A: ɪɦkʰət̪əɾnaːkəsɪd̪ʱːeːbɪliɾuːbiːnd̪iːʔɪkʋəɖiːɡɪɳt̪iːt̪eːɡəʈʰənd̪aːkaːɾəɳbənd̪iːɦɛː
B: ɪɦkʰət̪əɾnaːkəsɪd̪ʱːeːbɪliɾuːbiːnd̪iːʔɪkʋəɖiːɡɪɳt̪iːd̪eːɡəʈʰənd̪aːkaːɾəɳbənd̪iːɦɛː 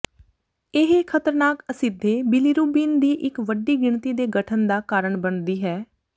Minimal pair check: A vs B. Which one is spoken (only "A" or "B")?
B